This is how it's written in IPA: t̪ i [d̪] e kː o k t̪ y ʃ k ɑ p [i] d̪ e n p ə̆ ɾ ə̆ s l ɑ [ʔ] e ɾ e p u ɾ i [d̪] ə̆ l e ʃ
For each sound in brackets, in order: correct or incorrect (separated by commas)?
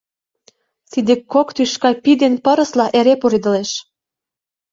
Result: correct, correct, correct, correct